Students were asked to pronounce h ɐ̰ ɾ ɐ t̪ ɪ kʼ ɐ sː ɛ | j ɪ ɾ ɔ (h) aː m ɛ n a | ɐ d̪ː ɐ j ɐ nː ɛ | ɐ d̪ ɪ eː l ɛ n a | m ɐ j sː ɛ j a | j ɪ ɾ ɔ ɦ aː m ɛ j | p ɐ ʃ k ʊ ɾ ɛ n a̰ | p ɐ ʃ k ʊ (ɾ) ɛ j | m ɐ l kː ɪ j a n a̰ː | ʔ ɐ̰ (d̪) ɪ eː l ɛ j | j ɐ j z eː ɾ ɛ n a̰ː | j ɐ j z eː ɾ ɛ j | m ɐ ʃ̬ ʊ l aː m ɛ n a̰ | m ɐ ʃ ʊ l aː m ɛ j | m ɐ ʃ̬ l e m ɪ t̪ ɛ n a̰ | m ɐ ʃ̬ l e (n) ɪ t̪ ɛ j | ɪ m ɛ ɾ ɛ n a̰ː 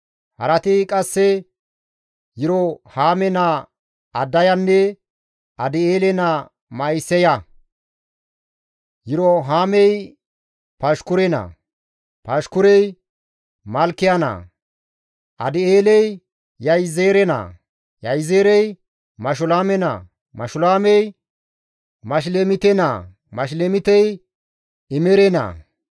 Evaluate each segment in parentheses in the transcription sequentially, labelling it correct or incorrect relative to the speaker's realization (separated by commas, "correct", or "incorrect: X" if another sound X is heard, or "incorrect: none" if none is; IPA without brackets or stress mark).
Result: correct, correct, correct, incorrect: m